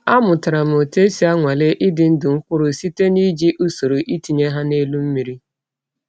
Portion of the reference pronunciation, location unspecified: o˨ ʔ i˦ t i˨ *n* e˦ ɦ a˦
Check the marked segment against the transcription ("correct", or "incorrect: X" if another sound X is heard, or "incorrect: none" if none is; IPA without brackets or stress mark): incorrect: ɲ